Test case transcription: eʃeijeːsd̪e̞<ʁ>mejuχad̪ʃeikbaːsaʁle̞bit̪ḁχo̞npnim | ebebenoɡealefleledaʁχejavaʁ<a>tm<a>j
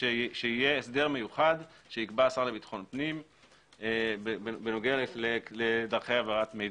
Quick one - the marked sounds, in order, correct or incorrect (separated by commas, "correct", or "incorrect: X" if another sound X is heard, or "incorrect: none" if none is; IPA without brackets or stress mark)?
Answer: correct, correct, incorrect: e